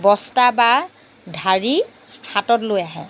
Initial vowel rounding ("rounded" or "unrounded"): rounded